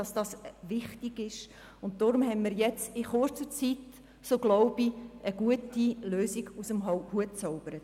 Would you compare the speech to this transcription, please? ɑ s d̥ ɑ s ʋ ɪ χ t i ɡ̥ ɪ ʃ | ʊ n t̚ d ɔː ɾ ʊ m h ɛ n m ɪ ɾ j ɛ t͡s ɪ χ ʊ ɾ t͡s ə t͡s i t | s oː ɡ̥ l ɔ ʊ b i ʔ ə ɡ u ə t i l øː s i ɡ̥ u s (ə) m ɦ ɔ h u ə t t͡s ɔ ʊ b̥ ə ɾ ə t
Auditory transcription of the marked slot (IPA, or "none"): ə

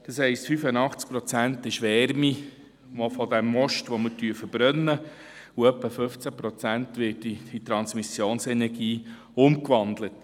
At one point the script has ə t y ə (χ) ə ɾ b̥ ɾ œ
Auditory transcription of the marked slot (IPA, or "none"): f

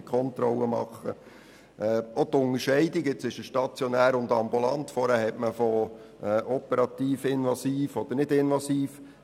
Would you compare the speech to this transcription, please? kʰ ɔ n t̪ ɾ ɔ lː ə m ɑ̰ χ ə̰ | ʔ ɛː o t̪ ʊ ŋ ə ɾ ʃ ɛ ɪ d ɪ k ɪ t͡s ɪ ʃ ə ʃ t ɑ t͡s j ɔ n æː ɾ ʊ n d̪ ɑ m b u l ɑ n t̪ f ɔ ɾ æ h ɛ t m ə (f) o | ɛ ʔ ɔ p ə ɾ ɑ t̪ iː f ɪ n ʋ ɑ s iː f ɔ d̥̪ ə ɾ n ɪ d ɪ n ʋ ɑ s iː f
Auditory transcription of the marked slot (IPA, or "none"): f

